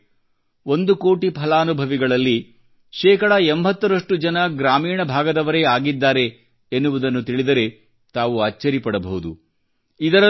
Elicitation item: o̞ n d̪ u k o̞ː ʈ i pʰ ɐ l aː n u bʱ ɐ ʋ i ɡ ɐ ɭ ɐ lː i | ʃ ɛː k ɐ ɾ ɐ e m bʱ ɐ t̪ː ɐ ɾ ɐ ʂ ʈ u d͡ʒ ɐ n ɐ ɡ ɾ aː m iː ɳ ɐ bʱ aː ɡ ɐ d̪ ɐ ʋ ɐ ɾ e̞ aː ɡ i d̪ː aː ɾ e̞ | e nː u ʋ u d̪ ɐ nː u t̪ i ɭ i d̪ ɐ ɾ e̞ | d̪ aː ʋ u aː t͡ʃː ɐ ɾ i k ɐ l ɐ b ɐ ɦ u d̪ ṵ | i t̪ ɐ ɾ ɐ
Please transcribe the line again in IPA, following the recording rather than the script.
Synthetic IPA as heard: o̞ n d̪ u k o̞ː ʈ i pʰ ɐ l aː n u bʱ ɐ ʋ i ɡ ɐ ɭ ɐ lː i | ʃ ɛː k ɐ ɽ ɐ e m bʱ ɐ t̪ː ɐ ɾ ɐ ʂ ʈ u d͡ʒ ɐ n ɐ ɡ ɾ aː m iː ɳ ɐ bʱ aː ɡ ɐ d̪ ɐ ʋ ɐ ɾ e̞ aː ɡ i d̪ː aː ɾ e̞ | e nː u ʋ u d̪ ɐ nː u t̪ i ɭ i d̪ ɐ ɾ e̞ | t̪ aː ʋ u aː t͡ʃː ɐ ɾ i p ɐ ɽ ɐ b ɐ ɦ u d̪ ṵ | i d̪ ɐ ɾ ɐ